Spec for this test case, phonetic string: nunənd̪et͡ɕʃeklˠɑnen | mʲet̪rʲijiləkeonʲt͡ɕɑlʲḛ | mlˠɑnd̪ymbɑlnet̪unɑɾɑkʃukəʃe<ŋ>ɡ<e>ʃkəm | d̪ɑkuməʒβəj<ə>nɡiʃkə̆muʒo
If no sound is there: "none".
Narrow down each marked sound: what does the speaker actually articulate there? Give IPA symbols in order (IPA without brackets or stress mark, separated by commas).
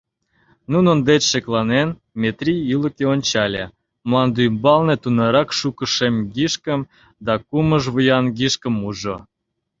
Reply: m, i, ɑ